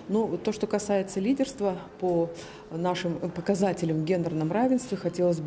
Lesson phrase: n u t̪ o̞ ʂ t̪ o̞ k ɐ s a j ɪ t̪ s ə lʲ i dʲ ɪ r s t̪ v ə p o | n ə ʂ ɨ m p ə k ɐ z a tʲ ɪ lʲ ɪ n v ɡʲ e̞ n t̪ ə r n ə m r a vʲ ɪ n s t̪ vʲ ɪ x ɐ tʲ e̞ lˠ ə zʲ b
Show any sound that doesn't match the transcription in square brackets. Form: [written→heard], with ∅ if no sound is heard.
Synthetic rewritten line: n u t̪ o̞ ʂ t̪ o̞ k ɐ s a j ɪ t̪ s ə lʲ i dʲ ɪ r s t̪ v ə p o | n [ə→a] ʂ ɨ m p ə k ɐ z a tʲ ɪ lʲ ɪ [n→m] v ɡʲ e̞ n [t̪→d̪] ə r n ə m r a vʲ ɪ n s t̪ vʲ ɪ x ɐ tʲ e̞ lˠ ə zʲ b